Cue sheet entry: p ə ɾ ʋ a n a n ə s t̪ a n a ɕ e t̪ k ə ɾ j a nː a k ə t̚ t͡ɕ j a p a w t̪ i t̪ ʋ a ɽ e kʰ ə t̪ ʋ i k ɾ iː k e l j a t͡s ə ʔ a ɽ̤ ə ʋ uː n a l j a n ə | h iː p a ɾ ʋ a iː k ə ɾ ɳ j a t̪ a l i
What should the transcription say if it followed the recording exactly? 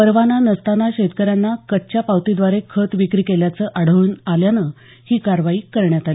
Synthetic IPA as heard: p ə ɾ ʋ a n a n ə s t̪ a n a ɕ e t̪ k ə ɾ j a nː a k ə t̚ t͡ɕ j a p a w t̪ i d̪ ʋ a ɾ e kʰ ə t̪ ʋ i k ɾ iː k e l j a t͡s ə ʔ a ɽ̤ ə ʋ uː n a l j a n ə | h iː k a ɾ ʋ a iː k ə ɾ ɳ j a t̪ a l i